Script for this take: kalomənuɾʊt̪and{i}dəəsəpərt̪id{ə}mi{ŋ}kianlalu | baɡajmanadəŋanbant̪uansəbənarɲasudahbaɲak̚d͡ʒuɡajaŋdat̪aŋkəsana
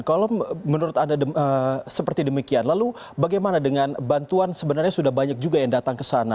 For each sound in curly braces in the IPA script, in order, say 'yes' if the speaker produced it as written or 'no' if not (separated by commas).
no, yes, no